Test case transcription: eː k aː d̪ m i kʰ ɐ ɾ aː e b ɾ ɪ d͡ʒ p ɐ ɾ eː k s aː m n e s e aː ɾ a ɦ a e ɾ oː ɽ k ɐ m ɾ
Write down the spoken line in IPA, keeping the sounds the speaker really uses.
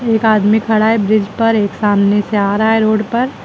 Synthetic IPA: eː k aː d̪ m i kʰ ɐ ɽ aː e b ɾ ɪ d͡ʒ p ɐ ɾ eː k s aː m n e s e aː ɾ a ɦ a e ɾ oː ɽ p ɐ ɾ